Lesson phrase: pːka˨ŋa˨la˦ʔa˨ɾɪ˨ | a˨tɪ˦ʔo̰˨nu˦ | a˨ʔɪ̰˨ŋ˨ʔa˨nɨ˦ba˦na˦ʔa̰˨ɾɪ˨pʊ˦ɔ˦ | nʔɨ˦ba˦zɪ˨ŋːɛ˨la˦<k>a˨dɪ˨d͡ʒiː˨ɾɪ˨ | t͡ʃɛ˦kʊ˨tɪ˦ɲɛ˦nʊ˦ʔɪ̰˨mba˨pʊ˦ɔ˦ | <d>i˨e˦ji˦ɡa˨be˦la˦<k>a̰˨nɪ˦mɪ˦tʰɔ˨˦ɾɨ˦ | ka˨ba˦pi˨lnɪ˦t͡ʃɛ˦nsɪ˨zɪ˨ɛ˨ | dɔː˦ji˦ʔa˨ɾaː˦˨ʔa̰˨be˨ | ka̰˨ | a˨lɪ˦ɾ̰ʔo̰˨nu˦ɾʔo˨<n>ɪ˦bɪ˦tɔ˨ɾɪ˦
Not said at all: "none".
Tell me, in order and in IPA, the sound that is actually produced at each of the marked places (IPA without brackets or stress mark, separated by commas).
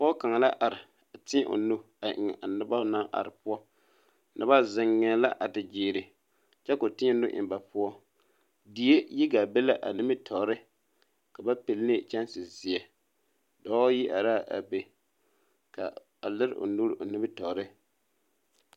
ʔ, d, ʔ, n